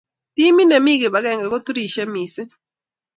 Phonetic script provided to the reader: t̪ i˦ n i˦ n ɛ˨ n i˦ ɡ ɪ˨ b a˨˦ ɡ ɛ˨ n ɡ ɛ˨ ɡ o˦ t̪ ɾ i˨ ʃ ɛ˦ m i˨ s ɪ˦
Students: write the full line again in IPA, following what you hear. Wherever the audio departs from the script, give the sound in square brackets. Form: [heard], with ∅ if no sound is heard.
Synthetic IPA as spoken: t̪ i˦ [m] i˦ n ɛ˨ [m] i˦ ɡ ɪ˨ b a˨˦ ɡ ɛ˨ [ŋ] ɡ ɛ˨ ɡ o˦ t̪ ɾ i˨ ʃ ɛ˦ m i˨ s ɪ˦